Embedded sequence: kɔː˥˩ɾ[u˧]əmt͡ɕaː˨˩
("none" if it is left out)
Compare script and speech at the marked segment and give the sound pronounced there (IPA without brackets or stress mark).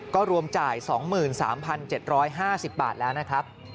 u˧